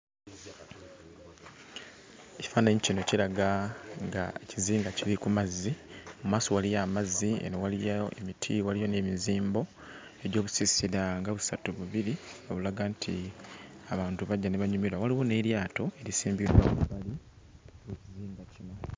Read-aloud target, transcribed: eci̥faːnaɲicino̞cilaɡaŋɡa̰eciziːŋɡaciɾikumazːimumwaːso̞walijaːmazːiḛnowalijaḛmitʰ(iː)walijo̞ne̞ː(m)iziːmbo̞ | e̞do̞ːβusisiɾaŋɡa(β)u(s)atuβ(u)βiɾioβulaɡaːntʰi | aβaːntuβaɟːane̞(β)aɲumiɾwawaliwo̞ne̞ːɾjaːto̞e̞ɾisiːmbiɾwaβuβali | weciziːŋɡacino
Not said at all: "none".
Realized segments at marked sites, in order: i, m, β, s, u, β

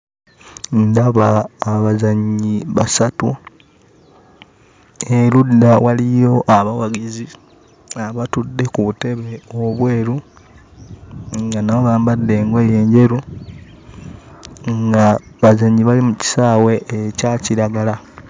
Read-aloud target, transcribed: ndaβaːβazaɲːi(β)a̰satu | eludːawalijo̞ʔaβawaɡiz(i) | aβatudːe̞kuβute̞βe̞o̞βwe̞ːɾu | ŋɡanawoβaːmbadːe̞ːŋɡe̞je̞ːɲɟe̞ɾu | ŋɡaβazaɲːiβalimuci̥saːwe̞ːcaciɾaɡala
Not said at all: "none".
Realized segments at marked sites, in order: β, i

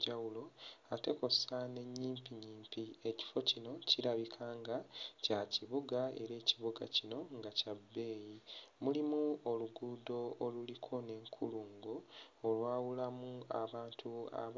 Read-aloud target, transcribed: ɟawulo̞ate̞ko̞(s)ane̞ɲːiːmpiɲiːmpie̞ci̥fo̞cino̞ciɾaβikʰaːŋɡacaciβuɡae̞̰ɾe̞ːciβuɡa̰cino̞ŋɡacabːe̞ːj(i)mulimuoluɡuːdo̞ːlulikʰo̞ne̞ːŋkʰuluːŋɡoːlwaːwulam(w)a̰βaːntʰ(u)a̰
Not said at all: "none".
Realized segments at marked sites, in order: s, i, u, u

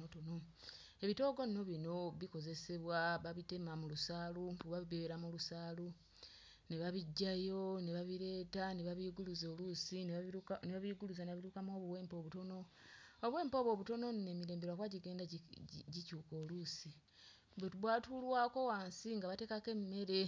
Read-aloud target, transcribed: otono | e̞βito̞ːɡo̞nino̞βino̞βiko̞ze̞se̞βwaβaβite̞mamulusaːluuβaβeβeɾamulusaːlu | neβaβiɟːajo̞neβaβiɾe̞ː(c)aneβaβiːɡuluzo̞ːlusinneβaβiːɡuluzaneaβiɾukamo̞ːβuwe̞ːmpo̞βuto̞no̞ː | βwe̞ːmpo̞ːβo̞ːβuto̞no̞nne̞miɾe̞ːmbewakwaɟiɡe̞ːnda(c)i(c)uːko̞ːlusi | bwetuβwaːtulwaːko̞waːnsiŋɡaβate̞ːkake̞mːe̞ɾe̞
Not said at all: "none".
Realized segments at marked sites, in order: t, ɟ, c

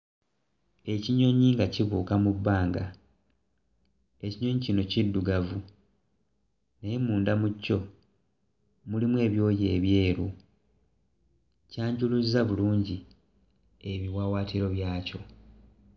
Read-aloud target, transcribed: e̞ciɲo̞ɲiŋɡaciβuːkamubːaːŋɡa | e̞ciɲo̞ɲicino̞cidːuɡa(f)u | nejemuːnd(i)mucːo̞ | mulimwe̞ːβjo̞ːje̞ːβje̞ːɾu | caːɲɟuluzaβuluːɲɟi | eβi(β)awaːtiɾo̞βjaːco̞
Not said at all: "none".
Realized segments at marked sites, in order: v, a, w

